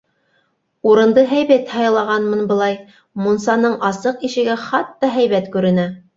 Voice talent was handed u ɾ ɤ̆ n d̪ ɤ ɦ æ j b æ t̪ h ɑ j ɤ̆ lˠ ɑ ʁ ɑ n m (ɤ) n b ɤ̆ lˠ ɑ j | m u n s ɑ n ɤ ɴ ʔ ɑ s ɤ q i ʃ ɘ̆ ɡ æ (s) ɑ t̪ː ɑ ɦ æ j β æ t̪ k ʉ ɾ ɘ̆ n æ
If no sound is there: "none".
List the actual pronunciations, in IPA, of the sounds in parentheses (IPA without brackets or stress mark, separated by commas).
ɤ, χ